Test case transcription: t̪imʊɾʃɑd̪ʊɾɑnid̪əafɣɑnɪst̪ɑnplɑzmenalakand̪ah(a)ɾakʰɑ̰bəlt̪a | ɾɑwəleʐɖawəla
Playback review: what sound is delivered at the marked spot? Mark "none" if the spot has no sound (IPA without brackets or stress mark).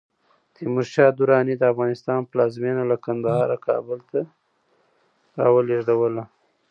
ɑ